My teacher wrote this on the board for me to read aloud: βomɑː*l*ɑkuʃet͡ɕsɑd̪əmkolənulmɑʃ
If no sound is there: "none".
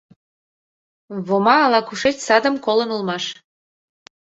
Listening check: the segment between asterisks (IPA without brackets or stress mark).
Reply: l